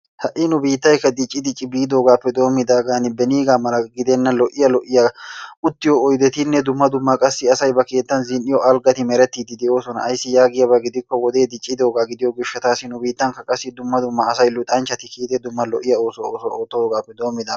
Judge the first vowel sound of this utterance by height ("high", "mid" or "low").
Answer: low